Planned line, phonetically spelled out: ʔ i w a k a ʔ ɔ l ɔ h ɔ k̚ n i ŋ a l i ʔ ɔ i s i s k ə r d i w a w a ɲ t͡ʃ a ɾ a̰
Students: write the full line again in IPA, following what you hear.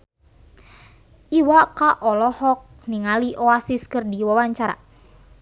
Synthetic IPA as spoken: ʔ i w a k a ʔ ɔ l ɔ h ɔ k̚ n i ŋ a l i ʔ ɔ a s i s k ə r d i w a w a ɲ t͡ʃ a ɾ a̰